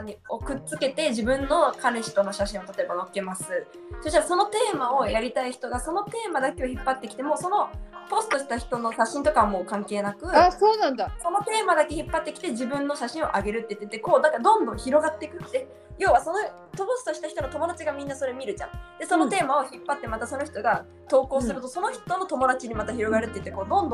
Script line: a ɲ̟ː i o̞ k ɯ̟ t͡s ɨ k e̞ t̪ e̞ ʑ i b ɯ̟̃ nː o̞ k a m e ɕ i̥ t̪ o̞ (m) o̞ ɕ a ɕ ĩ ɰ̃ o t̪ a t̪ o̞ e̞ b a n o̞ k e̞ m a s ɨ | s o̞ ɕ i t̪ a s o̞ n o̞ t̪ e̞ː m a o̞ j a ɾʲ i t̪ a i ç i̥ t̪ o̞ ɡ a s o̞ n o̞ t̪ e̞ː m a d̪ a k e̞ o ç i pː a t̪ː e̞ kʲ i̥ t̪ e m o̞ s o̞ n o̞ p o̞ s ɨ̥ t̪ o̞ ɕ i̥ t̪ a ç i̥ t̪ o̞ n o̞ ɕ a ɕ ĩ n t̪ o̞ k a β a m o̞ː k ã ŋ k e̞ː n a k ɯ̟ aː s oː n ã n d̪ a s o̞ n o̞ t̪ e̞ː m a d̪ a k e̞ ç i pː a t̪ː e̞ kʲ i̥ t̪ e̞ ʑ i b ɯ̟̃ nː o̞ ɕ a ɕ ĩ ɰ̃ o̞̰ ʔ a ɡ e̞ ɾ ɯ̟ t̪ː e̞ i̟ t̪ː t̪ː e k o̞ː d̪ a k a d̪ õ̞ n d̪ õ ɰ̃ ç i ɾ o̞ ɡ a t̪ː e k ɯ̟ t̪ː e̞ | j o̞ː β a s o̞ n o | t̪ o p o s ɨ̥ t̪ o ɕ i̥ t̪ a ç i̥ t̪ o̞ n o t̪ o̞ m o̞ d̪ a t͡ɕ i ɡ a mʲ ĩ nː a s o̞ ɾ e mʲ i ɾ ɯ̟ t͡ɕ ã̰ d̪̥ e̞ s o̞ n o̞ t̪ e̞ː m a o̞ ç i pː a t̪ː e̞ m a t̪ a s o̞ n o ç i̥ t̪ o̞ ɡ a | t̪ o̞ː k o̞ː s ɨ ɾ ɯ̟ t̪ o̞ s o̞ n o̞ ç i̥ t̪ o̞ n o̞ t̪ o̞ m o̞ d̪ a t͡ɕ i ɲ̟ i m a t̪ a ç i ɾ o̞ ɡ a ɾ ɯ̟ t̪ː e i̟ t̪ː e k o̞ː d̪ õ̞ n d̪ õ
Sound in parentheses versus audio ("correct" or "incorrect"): incorrect